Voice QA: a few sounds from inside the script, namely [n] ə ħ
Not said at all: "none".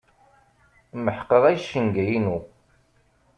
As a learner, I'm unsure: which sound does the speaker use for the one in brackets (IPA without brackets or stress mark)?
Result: m